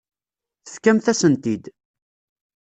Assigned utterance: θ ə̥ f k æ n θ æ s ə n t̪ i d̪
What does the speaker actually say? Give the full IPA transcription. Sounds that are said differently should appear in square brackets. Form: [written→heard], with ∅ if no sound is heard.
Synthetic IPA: θ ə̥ f k æ [n→m] θ æ s ə n t̪ i d̪

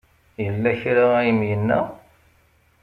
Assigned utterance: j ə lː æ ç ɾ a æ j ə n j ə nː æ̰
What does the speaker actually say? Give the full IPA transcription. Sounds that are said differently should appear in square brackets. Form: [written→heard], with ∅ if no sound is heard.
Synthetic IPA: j ə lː æ ç ɾ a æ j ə [n→m] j ə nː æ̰

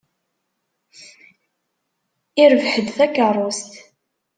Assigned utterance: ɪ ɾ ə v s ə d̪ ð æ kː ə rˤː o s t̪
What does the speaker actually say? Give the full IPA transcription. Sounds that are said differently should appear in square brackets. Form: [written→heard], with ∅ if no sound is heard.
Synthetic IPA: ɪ ɾ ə v [s→ħ] ə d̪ [ð→θ] æ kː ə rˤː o s t̪

